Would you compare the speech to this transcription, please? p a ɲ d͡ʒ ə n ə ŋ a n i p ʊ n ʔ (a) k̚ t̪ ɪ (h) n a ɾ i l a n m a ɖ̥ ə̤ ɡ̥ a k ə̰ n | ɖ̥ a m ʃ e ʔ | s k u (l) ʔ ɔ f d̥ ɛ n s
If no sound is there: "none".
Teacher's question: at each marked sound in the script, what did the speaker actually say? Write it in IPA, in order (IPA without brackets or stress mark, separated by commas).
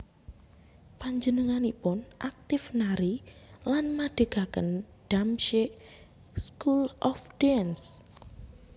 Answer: a, f, l